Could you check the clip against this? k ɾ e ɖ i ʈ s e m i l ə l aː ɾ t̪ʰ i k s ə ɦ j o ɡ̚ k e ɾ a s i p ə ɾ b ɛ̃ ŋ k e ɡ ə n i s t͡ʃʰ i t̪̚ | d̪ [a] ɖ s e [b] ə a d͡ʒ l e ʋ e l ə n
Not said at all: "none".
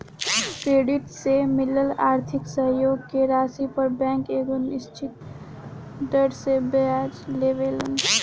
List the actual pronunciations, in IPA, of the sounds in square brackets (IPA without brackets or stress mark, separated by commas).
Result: ə, b